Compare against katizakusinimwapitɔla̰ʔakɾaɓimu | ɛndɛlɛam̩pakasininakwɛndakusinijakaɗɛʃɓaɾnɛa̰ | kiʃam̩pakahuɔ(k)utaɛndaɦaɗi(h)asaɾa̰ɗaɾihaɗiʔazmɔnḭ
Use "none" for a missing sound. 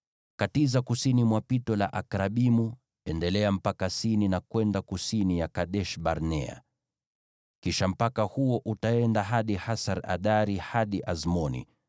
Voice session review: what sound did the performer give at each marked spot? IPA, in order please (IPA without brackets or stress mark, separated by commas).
ʔ, h